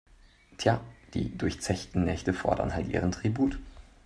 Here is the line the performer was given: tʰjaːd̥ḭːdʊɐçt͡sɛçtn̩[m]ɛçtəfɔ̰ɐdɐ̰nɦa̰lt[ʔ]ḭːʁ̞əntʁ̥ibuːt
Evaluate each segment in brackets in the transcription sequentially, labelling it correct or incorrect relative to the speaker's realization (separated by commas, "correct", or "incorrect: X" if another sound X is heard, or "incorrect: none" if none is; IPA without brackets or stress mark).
incorrect: n, correct